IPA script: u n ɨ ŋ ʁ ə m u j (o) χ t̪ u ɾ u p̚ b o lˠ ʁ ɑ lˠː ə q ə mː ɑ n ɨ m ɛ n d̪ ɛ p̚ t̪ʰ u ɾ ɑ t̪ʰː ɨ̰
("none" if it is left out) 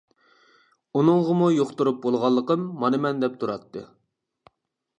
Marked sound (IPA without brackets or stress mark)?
o